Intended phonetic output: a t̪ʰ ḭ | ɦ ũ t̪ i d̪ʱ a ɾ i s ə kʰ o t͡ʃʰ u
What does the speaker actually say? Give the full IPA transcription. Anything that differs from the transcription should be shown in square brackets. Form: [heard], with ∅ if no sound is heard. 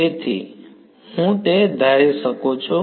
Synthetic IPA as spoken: [e] t̪ʰ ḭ | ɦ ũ t̪ [e] d̪ʱ a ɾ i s ə [k] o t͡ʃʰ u